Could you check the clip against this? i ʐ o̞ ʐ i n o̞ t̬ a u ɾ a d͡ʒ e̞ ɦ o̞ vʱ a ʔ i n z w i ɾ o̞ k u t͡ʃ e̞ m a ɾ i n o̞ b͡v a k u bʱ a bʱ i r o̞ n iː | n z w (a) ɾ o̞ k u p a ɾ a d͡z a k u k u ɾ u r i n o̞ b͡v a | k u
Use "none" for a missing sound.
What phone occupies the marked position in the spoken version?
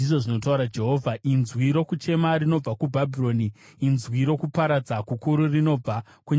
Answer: i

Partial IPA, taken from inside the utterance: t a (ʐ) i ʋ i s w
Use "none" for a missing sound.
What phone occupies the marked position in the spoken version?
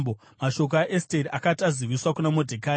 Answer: z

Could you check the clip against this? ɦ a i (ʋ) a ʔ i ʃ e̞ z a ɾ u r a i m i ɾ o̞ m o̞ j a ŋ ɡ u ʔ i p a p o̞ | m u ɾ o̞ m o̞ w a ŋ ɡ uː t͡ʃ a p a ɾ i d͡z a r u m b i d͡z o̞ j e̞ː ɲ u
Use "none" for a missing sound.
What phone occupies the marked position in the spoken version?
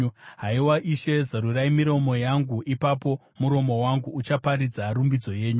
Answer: w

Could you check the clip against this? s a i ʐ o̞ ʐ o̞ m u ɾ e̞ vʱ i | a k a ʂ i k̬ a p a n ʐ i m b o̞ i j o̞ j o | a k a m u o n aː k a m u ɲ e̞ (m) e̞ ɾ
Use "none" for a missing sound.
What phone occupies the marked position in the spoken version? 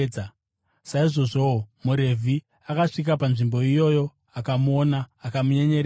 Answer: ɲ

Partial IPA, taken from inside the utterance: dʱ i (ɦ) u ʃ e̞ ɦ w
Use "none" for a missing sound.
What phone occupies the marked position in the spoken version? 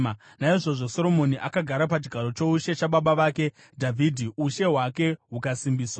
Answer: none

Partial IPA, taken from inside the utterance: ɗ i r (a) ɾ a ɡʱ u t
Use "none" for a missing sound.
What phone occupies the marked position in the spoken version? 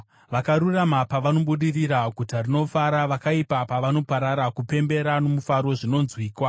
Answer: i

